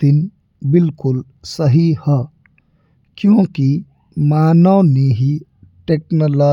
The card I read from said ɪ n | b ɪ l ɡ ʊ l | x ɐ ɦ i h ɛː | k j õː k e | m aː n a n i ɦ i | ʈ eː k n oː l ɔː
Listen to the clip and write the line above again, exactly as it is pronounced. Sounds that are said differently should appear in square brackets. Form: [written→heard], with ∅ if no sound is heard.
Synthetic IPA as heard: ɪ n | b ɪ l [ɡ→k] ʊ l | [x→s] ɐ ɦ i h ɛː | k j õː k [e→i] | m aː n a n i ɦ i | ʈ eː k n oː l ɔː